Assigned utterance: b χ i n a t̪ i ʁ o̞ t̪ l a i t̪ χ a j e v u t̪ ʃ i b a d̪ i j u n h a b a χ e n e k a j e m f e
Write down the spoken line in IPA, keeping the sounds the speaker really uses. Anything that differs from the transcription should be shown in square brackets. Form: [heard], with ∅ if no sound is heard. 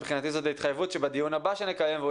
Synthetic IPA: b χ i n a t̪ i [z] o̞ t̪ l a i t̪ χ a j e v u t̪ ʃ [e] b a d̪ i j u n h a b a [ʃ] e n e k a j e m [v] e